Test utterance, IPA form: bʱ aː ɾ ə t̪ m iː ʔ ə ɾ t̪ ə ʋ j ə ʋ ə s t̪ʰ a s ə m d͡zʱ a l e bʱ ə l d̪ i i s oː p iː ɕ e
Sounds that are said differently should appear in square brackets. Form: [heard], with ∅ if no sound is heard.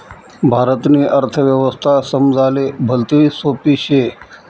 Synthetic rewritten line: bʱ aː ɾ ə t̪ [n] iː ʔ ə ɾ [t̪ʰ] ə ʋ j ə ʋ ə s t̪ʰ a s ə m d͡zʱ a l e bʱ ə l [t̪] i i s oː p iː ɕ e